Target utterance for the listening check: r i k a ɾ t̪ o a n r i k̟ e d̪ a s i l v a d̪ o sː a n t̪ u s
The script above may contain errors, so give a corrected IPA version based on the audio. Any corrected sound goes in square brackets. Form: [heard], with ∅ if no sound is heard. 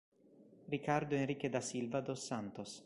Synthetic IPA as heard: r i k a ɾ [d̪] o [e] n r i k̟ e d̪ a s i l v a d̪ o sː a n t̪ [o] s